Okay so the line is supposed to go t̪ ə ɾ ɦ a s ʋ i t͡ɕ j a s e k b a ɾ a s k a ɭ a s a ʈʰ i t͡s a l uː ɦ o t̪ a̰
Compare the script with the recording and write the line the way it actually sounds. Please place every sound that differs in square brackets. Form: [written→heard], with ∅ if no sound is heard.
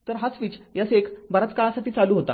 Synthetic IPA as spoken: t̪ ə ɾ ɦ a s ʋ i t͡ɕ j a s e k b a ɾ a [s→t͡s] k a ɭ a s a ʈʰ [i→iː] t͡s a l uː ɦ o t̪ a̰